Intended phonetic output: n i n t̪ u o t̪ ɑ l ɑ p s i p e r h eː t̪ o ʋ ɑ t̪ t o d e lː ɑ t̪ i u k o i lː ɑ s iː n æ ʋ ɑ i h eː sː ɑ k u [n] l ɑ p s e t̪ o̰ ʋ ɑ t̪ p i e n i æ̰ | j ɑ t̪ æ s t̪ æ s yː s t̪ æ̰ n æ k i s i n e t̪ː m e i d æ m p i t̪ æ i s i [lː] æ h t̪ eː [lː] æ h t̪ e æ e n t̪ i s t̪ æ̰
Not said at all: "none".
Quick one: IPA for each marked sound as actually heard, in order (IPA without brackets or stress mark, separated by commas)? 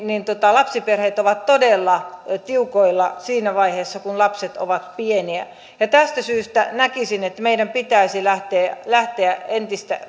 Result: n, l, l